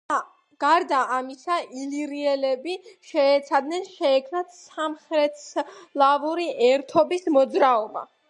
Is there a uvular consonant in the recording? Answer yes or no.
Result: yes